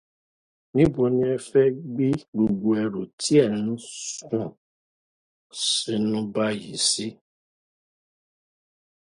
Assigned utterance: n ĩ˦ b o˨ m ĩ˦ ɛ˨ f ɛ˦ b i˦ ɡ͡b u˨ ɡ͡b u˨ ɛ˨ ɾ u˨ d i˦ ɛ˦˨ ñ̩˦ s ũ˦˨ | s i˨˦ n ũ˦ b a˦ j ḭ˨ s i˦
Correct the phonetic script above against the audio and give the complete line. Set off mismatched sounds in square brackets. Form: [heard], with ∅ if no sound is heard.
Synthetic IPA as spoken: n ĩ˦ b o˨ [n] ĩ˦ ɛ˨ f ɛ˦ [ɡ͡b] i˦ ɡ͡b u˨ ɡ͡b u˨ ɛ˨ ɾ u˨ [t] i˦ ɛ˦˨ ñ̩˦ s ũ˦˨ | s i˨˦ n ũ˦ b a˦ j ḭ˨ s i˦